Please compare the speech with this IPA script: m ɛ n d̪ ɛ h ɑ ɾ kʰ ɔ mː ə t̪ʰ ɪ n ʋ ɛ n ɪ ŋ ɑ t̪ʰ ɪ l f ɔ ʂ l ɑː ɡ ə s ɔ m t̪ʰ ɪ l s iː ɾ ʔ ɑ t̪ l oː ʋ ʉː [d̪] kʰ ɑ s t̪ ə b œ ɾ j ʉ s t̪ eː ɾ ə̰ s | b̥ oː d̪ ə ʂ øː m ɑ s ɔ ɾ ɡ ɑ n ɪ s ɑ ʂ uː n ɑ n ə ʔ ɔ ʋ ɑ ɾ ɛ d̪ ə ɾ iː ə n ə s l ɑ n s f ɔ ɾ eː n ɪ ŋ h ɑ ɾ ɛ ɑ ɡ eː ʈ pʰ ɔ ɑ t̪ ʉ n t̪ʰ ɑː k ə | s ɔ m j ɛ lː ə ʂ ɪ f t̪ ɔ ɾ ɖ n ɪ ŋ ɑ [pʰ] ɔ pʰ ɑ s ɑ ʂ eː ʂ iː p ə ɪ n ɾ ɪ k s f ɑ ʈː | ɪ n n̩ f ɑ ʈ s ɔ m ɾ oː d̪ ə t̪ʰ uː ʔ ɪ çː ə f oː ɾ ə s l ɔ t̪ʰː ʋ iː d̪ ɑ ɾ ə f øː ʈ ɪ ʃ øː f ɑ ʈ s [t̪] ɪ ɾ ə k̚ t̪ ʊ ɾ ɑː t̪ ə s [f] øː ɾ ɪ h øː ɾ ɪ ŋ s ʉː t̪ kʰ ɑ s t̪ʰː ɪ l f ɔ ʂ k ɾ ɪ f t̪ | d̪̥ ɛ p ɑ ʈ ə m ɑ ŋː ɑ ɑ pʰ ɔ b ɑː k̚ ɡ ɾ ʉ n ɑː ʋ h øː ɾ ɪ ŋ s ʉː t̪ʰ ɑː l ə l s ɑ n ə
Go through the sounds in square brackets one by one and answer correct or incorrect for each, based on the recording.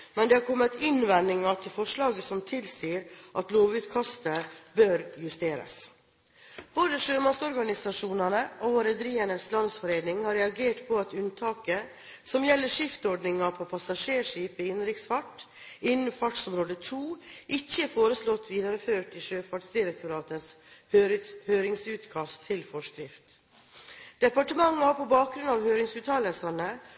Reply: incorrect: t̪, correct, incorrect: d̪, incorrect: h

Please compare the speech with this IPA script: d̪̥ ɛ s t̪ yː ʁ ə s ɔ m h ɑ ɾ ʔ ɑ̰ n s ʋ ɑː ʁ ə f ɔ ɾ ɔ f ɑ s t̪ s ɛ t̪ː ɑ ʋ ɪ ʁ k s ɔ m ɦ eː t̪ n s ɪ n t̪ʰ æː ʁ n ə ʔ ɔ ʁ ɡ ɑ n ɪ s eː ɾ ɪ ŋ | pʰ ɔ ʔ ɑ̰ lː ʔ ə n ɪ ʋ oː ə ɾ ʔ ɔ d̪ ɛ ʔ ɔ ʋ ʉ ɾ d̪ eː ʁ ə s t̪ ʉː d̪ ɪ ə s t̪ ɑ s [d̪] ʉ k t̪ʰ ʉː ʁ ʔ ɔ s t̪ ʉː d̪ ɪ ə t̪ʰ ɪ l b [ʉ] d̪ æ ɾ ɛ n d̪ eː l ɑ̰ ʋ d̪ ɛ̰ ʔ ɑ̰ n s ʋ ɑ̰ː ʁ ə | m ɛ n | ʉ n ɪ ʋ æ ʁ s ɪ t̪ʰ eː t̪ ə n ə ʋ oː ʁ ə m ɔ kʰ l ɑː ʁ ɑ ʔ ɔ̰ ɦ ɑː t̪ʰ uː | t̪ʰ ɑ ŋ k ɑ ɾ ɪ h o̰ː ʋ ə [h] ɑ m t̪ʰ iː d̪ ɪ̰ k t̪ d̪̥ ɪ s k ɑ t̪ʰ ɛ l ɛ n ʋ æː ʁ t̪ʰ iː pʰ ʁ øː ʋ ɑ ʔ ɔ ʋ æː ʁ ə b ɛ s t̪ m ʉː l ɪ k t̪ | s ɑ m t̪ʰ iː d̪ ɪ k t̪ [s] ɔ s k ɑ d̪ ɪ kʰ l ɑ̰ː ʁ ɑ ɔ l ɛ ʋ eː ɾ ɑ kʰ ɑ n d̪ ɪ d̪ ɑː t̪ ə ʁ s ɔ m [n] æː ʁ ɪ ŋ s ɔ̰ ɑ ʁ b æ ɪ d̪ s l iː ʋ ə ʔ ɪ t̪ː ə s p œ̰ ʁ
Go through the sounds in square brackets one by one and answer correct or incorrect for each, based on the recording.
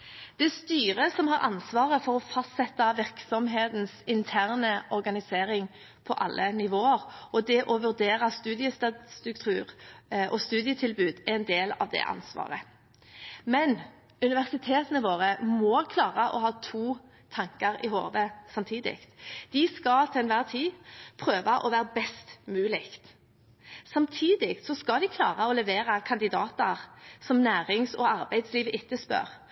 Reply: incorrect: t̪, incorrect: ʉː, incorrect: s, correct, correct

